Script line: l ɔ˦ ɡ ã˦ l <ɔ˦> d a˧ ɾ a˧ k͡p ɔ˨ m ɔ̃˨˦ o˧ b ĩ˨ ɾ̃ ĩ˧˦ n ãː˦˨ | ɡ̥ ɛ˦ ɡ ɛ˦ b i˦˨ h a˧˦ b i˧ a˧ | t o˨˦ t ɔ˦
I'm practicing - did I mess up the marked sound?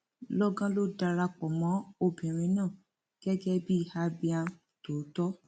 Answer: yes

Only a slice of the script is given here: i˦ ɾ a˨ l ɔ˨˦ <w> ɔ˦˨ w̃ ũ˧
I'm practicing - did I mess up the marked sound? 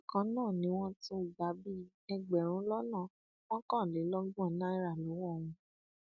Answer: no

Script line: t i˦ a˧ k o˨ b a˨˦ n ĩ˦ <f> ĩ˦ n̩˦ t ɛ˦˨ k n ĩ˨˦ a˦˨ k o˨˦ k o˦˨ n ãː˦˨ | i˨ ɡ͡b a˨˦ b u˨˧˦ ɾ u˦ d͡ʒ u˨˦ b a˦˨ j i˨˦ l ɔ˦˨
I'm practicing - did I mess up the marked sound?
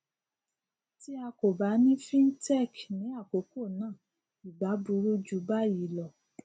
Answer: no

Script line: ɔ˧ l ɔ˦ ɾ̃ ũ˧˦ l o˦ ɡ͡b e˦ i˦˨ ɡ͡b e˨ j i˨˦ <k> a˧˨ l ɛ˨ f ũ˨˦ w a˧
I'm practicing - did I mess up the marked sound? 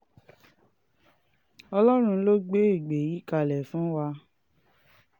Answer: no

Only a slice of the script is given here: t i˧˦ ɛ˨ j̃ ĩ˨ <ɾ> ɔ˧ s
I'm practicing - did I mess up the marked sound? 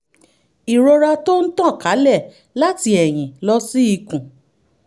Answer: yes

